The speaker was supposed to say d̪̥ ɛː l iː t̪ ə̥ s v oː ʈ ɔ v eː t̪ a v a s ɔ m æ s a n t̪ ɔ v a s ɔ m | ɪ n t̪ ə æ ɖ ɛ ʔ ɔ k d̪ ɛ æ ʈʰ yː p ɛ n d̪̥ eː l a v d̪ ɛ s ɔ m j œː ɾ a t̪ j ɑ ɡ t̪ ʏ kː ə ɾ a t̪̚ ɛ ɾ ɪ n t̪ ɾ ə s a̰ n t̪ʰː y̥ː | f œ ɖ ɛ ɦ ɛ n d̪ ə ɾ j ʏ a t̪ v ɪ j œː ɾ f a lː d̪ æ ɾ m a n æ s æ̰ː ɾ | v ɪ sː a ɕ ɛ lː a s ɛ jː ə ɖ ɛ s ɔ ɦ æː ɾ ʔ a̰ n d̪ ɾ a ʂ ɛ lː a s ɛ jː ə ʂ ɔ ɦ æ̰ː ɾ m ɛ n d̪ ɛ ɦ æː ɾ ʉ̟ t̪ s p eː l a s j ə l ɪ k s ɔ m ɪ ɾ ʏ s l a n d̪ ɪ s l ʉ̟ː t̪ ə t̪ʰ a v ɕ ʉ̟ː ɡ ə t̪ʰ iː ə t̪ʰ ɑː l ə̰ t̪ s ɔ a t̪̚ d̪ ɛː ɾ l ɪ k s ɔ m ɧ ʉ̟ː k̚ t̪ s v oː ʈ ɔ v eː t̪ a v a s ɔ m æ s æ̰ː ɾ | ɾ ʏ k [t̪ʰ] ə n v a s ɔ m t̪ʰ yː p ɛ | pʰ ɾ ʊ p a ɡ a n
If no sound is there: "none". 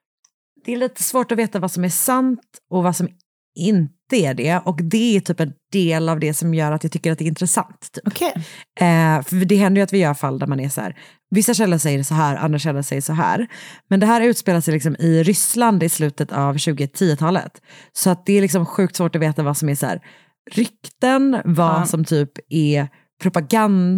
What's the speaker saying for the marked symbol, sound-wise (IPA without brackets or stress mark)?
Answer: t̪